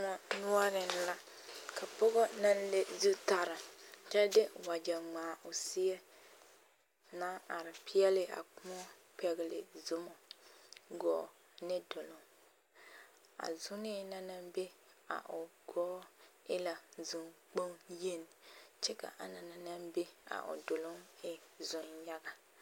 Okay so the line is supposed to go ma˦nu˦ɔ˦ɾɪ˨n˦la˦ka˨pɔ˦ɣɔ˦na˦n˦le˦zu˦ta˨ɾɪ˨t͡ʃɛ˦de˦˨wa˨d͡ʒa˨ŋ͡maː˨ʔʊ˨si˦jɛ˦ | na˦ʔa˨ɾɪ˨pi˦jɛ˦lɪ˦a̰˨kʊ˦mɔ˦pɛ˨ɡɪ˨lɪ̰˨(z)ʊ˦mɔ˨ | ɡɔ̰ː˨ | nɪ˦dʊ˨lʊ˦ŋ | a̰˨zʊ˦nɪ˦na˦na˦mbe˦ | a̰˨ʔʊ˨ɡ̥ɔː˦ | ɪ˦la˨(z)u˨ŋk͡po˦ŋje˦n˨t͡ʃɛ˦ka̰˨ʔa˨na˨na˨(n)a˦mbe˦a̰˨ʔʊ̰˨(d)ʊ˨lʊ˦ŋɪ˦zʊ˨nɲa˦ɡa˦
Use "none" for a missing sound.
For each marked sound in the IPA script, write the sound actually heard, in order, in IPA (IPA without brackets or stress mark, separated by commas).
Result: z, z, n, d